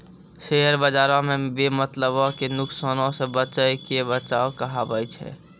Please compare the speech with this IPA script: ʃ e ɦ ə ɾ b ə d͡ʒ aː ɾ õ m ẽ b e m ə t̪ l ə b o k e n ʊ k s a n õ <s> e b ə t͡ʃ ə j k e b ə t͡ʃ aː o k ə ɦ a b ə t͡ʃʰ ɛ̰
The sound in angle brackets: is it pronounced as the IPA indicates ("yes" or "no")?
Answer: yes